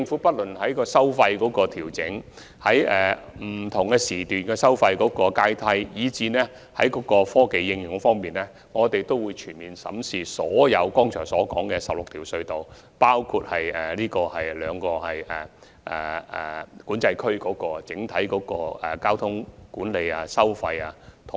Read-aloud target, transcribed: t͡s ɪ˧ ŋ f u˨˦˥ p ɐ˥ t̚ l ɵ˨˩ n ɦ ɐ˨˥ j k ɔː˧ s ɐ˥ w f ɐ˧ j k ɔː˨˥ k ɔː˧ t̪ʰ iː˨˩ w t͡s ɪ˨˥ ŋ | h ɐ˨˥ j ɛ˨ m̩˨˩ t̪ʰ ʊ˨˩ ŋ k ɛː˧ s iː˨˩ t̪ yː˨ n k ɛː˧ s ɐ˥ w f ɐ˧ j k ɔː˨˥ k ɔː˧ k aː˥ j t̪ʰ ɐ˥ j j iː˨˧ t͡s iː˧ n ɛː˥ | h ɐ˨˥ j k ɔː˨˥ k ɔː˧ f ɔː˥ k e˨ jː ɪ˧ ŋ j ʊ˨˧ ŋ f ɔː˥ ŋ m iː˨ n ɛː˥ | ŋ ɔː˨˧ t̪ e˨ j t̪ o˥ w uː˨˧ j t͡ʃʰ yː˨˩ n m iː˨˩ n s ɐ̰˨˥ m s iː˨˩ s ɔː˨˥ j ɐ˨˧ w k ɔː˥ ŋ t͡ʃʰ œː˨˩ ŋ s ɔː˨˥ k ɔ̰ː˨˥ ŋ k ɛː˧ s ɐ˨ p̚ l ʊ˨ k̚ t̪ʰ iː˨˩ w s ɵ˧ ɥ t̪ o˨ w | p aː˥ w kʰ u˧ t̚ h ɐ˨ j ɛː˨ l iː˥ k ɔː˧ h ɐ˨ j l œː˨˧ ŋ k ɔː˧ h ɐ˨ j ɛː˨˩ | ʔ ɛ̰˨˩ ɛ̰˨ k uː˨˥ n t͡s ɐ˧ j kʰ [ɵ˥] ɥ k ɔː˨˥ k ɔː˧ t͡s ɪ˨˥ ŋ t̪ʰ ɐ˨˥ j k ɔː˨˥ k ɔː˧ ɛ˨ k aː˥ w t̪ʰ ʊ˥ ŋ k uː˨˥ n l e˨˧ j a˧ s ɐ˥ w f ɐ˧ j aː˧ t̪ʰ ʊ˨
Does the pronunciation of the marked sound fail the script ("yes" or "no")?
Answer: no